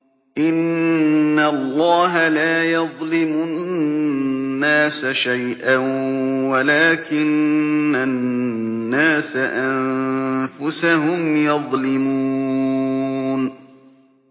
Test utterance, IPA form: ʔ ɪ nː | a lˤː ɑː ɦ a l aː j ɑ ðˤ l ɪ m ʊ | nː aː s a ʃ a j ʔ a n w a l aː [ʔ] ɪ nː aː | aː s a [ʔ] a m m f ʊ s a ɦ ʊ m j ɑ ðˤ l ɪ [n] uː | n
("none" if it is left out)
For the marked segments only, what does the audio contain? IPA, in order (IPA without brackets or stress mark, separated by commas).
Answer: k, ʔ, m